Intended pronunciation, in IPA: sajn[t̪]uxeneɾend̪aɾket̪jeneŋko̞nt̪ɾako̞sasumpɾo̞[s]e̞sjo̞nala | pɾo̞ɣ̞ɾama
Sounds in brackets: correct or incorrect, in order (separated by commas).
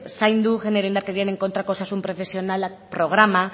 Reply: incorrect, incorrect